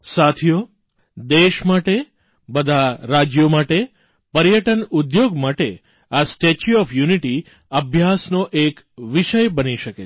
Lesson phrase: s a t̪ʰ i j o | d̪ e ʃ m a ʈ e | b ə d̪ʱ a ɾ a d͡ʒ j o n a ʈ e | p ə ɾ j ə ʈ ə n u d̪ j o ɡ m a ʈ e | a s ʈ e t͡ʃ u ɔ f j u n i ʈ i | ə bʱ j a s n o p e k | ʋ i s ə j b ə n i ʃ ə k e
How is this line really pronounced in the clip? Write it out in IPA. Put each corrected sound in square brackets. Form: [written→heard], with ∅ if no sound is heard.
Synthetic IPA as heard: s a t̪ʰ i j o | d̪ e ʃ m a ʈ e | b ə d̪ʱ a ɾ a d͡ʒ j o [n→m] a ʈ e | p ə ɾ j ə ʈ ə n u d̪ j o ɡ m a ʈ e | a s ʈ e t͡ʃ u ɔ f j u n i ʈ i | ə bʱ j a s n o [p→ʔ] e k | ʋ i [s→ʃ] ə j b ə n i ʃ ə k e